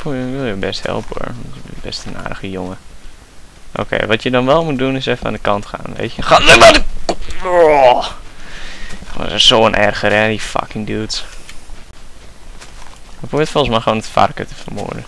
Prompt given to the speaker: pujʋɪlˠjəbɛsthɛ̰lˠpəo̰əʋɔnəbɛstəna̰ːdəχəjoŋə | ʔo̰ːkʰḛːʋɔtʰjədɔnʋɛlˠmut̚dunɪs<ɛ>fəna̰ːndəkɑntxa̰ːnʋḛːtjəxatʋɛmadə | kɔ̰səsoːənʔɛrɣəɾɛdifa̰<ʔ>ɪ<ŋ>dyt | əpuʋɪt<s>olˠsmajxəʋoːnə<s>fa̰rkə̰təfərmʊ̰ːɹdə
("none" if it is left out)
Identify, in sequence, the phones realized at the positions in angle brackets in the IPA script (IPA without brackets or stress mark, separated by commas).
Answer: ɛ, k, ŋ, f, t